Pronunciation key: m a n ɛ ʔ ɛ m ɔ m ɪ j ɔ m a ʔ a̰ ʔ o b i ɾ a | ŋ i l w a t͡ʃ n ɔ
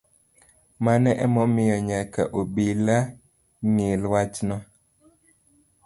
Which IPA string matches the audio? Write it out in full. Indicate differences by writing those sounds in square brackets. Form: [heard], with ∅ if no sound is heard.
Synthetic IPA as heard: m a n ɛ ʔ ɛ m ɔ m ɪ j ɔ [ɲ] a [k] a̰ ʔ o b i [l] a | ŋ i l w a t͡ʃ n ɔ